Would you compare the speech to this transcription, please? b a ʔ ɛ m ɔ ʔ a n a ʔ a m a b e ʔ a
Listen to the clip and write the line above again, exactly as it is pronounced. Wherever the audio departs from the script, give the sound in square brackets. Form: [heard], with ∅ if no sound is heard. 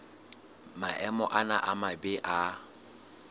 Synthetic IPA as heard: [m] a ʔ ɛ m ɔ ʔ a n a ʔ a m a b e ʔ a